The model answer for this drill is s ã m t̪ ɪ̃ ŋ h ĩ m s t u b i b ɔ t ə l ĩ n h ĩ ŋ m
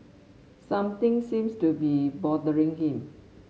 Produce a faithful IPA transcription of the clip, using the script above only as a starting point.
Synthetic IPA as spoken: s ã m t̪ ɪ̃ ŋ s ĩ m s t u b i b ɔ d ə ɹ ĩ ŋ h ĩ m